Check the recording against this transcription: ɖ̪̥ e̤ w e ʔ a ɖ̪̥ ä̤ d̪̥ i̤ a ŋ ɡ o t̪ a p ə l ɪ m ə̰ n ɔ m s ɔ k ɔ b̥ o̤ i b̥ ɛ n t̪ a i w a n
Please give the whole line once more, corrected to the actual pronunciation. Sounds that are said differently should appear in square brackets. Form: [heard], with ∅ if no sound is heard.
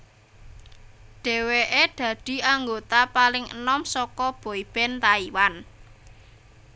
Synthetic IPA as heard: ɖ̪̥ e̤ w e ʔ [e] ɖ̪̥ ä̤ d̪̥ i̤ a ŋ ɡ o t̪ a p [a] l ɪ [ŋ] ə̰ n ɔ m s ɔ k ɔ b̥ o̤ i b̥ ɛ n t̪ a i w a n